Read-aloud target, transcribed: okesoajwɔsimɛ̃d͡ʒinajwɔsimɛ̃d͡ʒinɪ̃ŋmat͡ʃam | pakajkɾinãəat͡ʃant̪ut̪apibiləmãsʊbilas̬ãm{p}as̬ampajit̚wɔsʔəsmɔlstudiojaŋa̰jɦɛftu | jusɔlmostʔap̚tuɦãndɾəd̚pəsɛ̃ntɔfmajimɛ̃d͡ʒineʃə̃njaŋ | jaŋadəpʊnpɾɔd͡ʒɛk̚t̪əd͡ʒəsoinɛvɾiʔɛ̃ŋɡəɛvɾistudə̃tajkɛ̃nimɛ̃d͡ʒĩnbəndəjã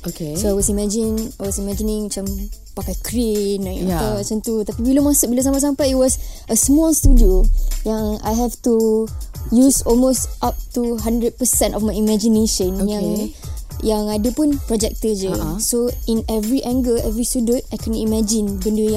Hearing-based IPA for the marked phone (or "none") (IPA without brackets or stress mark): p